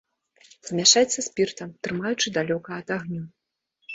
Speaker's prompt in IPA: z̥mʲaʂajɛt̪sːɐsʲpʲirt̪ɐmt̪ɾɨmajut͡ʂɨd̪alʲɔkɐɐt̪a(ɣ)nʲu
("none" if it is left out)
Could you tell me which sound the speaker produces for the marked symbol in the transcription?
ɣ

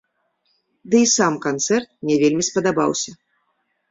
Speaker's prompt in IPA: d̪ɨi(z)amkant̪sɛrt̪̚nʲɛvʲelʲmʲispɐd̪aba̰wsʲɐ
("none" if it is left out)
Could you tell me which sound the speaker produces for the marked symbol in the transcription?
s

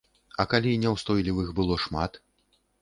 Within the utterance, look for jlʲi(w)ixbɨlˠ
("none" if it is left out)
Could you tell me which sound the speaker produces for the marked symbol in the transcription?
w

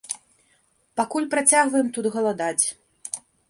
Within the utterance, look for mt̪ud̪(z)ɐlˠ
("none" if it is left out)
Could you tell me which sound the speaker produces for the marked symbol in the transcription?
ɣ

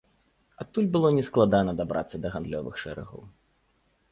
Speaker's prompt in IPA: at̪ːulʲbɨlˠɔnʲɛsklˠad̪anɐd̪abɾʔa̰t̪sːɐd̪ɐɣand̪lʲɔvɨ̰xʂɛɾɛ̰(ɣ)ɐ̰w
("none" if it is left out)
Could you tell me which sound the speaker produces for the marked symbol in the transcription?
ɣ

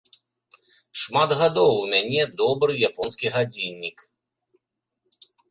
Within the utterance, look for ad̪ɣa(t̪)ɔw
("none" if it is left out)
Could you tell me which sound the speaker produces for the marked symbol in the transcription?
d̪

